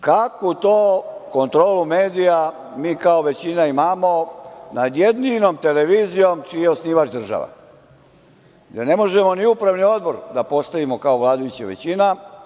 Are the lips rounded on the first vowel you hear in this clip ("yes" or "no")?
no